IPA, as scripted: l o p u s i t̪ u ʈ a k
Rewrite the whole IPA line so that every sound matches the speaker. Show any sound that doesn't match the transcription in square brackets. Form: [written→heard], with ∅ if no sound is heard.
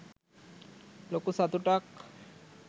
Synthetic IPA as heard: l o [p→k] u s [i→a] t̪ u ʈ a k